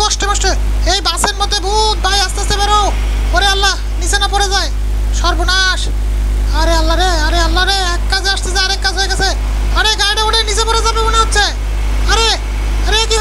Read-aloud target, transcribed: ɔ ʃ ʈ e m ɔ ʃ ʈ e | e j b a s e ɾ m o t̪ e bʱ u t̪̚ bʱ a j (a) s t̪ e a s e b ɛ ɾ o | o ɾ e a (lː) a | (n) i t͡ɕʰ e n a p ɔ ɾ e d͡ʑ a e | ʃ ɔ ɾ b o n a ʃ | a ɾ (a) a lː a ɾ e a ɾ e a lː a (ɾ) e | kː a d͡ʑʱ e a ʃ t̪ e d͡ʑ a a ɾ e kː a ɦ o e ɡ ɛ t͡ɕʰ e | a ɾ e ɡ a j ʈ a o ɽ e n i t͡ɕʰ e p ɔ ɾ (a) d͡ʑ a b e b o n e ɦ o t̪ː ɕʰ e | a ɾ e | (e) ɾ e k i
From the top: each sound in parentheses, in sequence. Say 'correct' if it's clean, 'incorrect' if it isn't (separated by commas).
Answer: correct, correct, correct, incorrect, correct, incorrect, incorrect